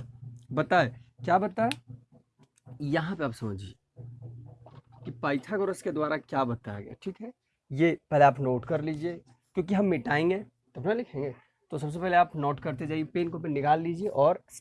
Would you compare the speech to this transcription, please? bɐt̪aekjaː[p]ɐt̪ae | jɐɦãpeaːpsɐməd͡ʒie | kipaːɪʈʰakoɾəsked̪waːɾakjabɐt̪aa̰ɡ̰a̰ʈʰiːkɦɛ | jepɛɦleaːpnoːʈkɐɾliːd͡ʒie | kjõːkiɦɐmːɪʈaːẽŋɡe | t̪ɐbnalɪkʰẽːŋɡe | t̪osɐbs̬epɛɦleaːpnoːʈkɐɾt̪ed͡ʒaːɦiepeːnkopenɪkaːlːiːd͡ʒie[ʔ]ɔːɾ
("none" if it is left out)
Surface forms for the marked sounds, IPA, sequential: b, ʔ

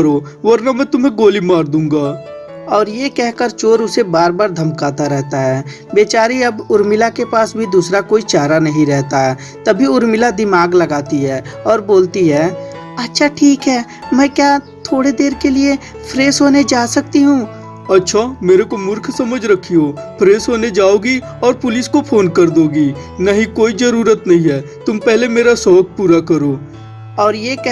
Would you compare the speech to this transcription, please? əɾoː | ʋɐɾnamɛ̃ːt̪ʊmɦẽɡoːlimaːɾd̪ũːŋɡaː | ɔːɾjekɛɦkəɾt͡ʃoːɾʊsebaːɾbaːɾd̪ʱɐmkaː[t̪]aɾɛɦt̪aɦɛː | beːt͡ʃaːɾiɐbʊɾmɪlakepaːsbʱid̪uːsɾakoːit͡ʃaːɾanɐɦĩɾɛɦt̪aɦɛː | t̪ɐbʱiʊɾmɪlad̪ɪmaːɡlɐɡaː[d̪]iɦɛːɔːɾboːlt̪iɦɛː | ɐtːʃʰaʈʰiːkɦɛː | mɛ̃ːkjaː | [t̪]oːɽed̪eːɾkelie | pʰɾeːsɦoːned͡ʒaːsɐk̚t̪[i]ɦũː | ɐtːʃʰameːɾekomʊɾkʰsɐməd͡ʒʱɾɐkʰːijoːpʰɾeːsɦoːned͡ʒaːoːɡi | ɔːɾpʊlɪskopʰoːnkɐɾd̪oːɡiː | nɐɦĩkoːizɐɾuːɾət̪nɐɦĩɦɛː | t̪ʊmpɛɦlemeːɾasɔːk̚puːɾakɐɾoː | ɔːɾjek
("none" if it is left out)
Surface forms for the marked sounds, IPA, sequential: t̪, t̪, t̪ʰ, i

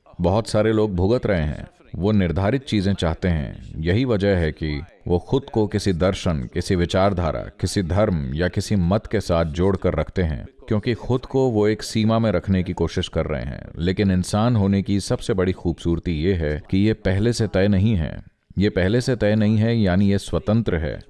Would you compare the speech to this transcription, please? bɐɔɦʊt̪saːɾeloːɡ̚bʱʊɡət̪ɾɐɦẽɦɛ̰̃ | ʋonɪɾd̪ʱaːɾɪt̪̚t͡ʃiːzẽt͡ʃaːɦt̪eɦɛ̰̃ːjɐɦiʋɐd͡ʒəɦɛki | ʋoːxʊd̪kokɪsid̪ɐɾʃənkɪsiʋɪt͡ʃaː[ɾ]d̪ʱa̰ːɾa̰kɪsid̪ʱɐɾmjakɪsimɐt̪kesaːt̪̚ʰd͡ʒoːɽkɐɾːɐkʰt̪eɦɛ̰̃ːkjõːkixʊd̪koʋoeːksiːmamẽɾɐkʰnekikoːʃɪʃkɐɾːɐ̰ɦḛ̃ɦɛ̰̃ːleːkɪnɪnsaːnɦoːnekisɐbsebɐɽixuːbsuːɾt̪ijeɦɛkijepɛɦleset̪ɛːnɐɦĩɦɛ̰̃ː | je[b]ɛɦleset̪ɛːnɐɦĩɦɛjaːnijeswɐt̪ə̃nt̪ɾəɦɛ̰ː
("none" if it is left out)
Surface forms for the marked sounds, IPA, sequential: ɾ, p

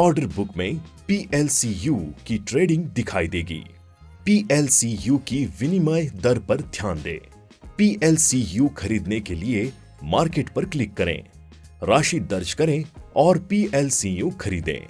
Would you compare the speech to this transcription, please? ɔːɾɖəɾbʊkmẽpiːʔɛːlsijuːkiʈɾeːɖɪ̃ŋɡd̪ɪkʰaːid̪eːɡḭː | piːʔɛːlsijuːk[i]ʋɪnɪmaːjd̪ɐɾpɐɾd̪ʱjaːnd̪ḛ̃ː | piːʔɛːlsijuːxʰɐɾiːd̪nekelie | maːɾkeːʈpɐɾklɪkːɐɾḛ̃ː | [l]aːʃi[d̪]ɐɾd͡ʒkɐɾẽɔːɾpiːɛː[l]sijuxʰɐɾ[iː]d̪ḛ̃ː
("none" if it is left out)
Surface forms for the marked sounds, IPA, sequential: i, ɾ, d̪, l, iː

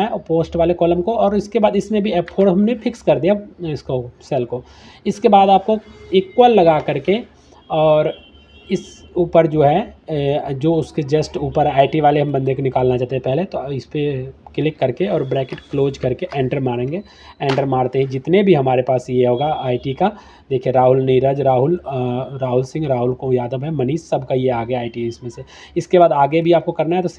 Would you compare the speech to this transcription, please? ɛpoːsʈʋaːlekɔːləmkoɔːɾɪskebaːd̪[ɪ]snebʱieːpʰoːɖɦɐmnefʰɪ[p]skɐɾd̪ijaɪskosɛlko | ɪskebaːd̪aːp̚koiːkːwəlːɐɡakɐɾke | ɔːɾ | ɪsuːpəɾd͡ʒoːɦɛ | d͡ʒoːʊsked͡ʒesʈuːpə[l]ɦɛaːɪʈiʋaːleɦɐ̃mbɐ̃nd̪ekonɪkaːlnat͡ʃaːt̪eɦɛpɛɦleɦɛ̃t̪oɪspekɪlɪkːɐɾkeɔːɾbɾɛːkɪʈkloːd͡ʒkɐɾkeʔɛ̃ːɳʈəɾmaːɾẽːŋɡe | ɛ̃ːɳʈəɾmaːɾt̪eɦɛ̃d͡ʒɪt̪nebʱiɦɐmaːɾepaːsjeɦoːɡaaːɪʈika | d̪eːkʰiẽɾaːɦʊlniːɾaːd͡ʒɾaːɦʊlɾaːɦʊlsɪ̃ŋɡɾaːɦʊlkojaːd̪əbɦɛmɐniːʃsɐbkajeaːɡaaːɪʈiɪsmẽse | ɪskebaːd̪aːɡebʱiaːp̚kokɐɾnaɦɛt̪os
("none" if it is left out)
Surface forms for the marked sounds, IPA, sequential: ɪ, k, ɾ

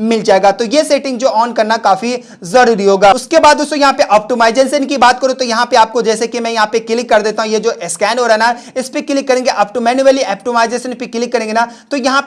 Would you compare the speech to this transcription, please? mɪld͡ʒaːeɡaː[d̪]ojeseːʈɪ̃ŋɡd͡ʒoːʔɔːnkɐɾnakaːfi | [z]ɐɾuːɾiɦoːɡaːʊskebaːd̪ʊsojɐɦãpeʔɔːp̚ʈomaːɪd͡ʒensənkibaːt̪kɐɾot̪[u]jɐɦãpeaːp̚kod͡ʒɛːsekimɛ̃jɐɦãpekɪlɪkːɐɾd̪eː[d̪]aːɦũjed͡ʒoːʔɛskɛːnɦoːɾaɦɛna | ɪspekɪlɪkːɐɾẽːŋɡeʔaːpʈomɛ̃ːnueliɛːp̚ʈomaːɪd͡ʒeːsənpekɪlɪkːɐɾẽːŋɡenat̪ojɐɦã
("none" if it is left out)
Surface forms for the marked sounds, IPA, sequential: t̪, z, o, t̪

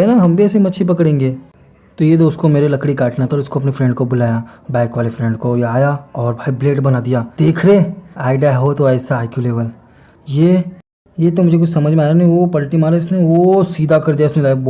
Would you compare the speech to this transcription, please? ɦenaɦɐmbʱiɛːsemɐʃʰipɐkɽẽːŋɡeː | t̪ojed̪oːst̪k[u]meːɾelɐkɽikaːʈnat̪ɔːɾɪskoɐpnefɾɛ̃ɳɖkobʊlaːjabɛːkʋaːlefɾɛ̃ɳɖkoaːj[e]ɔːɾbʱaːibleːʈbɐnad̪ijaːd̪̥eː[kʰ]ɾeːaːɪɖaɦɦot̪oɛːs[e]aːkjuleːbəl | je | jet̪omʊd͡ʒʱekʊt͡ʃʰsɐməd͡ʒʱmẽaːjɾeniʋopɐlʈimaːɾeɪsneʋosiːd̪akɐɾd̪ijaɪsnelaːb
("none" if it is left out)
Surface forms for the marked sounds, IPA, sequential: o, a, kʰ, a

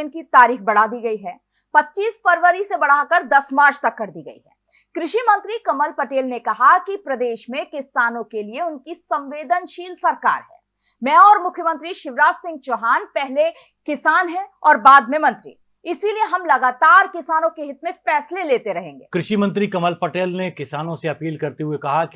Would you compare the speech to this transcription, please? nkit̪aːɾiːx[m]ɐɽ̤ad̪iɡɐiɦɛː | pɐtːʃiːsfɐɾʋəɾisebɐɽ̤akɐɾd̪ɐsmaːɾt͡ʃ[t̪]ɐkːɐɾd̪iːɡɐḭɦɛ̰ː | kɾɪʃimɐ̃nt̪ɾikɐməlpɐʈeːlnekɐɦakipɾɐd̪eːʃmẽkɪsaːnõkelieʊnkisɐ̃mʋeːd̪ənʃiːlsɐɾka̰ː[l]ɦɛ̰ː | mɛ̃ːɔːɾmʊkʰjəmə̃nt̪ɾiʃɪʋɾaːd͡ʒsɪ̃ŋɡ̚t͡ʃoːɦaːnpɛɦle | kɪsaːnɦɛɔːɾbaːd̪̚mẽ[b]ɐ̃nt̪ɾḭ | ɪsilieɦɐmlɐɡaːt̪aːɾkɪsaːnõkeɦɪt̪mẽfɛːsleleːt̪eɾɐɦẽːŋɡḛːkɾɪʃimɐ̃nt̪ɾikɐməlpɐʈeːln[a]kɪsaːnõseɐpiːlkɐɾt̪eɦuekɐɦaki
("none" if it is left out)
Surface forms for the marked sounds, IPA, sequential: b, t̪, ɾ, m, e

